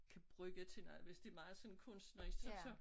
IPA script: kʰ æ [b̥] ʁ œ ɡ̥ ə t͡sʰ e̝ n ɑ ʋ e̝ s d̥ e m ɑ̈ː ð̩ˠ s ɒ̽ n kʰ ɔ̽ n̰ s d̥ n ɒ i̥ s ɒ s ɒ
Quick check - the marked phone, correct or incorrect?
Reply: correct